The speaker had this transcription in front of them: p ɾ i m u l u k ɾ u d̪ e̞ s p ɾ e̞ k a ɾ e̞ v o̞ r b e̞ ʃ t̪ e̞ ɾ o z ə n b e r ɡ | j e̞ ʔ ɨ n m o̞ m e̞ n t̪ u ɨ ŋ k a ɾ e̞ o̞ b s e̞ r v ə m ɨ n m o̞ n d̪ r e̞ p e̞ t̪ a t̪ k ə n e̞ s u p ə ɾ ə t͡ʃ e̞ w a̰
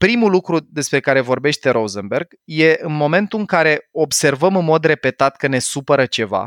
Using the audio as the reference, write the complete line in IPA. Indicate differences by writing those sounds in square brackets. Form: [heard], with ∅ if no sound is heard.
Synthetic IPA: p ɾ i m u l u k ɾ u d̪ e̞ s p ɾ e̞ k a ɾ e̞ v o̞ r b e̞ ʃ t̪ e̞ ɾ o z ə n b e r ɡ | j e̞ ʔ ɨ n m o̞ m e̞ n t̪ u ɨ ŋ k a ɾ e̞ o̞ b s e̞ r v ə m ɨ n m o̞ [∅] d̪ r e̞ p e̞ t̪ a t̪ k ə n e̞ s u p ə ɾ ə t͡ʃ e̞ [v] a̰